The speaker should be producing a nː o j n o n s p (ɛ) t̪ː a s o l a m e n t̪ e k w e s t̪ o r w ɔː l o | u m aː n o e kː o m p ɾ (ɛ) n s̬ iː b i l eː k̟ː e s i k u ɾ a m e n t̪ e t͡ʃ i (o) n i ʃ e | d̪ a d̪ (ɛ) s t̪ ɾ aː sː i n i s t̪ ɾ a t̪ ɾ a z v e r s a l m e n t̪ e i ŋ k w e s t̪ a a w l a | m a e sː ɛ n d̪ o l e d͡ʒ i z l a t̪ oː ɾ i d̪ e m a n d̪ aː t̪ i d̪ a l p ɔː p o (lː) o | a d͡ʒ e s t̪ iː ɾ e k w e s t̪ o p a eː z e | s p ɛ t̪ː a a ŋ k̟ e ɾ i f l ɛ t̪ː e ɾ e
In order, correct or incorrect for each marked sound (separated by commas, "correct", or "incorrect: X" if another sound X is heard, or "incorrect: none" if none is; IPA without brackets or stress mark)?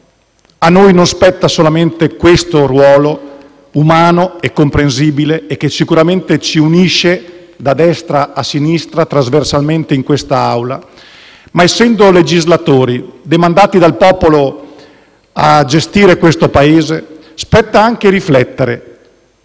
correct, incorrect: e, incorrect: u, correct, incorrect: l